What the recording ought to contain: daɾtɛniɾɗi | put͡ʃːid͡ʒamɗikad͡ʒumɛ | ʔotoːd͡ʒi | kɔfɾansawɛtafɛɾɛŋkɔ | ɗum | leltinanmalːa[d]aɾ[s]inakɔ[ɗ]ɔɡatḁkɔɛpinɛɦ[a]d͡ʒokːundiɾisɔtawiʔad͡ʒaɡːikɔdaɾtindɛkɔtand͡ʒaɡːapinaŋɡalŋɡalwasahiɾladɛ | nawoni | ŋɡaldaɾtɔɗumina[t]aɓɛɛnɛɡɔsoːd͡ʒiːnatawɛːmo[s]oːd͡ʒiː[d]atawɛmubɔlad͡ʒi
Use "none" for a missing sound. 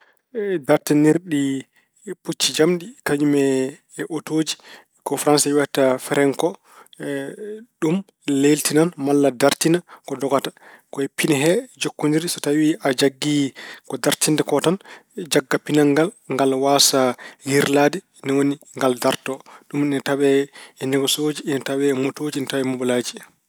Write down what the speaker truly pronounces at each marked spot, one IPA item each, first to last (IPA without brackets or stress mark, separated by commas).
d, t, d, ɛ, t, t, n